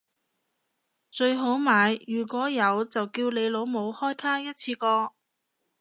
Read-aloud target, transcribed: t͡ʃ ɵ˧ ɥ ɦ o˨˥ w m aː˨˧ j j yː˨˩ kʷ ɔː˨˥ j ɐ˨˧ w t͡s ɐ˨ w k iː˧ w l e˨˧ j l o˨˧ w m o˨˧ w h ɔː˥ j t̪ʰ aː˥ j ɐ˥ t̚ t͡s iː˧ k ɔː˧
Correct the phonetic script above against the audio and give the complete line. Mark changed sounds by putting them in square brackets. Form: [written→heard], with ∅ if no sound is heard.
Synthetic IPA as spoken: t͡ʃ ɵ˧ ɥ ɦ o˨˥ w m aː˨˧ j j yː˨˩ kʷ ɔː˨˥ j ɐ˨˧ w t͡s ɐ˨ w k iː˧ w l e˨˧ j l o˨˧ w m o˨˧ w h ɔː˥ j t̪ʰ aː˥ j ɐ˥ t̚ [t͡s→t͡sʰ] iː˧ k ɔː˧